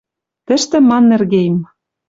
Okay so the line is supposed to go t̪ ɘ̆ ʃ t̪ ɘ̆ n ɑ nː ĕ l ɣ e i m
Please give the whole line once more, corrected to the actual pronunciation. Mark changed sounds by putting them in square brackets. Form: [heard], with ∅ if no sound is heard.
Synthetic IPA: t̪ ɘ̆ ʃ t̪ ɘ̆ [m] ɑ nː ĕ [r] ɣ e [j] m

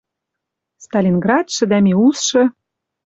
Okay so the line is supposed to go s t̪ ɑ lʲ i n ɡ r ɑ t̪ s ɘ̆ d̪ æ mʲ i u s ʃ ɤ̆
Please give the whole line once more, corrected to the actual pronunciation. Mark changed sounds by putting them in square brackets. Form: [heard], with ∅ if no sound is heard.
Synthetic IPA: s t̪ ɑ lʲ i n ɡ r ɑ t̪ [ʃ] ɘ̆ d̪ æ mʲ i u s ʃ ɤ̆

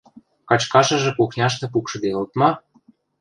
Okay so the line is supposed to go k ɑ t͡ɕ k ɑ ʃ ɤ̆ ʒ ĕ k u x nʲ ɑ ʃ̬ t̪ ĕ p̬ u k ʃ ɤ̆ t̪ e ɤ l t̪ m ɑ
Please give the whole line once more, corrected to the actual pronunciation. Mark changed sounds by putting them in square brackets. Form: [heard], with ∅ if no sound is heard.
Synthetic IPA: k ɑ t͡ɕ k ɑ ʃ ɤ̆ ʒ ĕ k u x nʲ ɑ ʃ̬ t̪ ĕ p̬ u k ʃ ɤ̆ [d̪] e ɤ l t̪ m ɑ

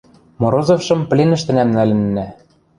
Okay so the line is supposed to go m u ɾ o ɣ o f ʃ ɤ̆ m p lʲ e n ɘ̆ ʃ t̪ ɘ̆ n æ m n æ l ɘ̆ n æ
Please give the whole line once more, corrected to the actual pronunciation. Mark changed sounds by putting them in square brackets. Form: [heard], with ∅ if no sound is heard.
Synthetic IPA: m [o] ɾ o [z] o f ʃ ɤ̆ m p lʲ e n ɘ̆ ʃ t̪ ɘ̆ n æ m n æ l ɘ̆ [nː] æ

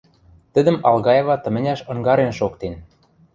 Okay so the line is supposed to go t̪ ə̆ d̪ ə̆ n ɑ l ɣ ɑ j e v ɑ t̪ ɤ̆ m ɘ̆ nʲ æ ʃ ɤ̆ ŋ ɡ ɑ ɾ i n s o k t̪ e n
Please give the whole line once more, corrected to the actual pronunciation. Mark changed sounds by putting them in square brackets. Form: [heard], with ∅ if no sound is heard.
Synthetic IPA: t̪ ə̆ d̪ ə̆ [m] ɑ l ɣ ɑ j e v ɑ t̪ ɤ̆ m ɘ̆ nʲ æ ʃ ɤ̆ ŋ ɡ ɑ ɾ [e] n [ʃ] o k t̪ e n

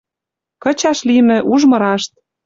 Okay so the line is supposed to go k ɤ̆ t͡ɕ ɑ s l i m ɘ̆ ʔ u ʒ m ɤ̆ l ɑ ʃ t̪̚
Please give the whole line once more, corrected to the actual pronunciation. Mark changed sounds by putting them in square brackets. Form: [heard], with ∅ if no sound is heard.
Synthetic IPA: k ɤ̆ t͡ɕ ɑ [ʃ] l i m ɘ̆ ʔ u ʒ m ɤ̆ [ɾ] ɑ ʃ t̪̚

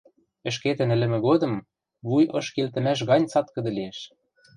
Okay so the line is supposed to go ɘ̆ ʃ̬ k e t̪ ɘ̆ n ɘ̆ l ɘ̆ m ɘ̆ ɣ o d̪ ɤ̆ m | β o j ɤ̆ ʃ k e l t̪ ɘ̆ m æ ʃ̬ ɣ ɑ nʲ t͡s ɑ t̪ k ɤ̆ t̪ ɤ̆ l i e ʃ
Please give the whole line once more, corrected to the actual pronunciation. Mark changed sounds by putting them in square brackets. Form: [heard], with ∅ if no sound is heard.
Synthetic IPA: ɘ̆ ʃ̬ k e t̪ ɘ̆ n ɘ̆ l ɘ̆ m ɘ̆ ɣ o d̪ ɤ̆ m | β [u] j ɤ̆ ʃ k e l t̪ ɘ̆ m æ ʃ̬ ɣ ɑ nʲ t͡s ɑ t̪ k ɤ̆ [d̪] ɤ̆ l i e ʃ

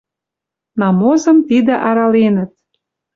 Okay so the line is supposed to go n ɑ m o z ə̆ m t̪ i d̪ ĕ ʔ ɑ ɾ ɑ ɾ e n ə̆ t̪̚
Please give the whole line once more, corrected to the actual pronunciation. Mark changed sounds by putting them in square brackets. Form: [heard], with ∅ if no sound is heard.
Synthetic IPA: n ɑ m o z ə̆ m t̪ i d̪ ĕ ʔ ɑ ɾ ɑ [l] e n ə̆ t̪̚

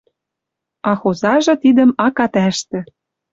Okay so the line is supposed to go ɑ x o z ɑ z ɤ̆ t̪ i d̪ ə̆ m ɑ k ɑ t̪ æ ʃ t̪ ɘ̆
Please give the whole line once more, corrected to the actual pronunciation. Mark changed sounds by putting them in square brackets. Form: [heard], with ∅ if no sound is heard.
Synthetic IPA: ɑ x o z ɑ [ʒ] ɤ̆ t̪ i d̪ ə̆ m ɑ k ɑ t̪ æ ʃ t̪ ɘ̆

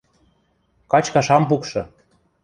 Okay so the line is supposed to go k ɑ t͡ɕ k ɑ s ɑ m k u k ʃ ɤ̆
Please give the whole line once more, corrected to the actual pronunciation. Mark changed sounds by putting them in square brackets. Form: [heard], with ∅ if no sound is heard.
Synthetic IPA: k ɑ t͡ɕ k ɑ [ʃ] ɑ m [p] u k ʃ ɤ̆

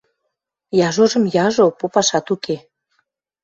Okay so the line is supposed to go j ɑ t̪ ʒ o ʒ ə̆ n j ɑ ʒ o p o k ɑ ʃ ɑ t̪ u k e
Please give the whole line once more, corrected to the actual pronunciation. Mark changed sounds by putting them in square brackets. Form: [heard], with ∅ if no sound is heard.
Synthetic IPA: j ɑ [∅] ʒ o ʒ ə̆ [m] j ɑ ʒ o p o [p] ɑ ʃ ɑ t̪ u k e

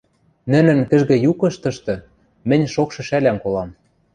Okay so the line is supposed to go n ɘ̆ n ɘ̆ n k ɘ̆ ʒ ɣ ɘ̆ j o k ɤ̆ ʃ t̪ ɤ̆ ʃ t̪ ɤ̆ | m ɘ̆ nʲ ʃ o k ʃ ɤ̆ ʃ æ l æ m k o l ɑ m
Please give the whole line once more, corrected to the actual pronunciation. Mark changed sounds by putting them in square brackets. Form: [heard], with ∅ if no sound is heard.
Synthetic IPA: n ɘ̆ n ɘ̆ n k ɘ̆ ʒ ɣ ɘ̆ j [u] k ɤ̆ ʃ t̪ ɤ̆ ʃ t̪ ɤ̆ | m ɘ̆ nʲ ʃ o k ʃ ɤ̆ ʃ æ l æ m k o l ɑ m

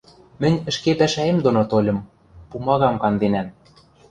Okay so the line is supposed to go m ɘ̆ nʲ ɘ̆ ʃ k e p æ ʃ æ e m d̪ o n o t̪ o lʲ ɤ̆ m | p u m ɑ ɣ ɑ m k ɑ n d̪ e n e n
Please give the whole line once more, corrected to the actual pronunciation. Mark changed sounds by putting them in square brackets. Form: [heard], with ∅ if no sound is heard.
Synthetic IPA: m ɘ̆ nʲ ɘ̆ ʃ k e p æ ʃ æ e m d̪ o n o t̪ o lʲ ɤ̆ m | p u m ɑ ɣ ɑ m k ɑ n d̪ e n [æ] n

